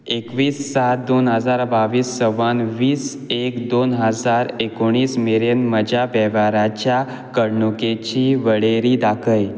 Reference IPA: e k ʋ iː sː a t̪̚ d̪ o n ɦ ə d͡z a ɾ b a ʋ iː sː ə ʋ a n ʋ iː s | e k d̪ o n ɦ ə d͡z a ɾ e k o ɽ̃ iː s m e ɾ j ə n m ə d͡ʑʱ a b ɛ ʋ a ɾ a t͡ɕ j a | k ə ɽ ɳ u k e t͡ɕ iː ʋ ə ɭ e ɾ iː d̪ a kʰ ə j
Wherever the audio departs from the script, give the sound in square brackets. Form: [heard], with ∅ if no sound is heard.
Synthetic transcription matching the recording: e k ʋ iː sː a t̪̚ d̪ o n ɦ ə d͡z a ɾ b a ʋ iː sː ə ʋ a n ʋ iː s | e k d̪ o n ɦ ə d͡z a ɾ e k o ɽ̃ iː s m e ɾ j ə n m ə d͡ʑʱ a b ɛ ʋ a ɾ a t͡ɕ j a | k ə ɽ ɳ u k e t͡ɕ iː ʋ ə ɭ e ɾ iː d̪ a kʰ ə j